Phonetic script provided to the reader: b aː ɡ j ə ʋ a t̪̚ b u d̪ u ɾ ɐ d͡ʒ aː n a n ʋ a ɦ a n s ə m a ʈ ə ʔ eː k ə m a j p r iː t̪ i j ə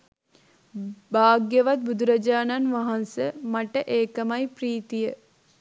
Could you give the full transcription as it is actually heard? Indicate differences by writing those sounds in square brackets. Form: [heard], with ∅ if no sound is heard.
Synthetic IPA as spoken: b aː ɡ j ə ʋ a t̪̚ b u d̪ u ɾ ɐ d͡ʒ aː n a n ʋ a ɦ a n s ə m a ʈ ə ʔ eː k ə m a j p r iː t̪ i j ə